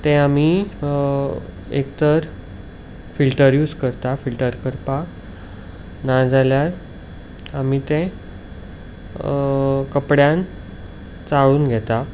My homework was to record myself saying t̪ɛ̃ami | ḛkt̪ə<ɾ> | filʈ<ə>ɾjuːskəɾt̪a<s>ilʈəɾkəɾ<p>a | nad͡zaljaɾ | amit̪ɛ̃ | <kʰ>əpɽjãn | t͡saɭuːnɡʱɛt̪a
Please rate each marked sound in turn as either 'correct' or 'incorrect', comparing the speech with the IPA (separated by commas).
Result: correct, correct, incorrect, correct, incorrect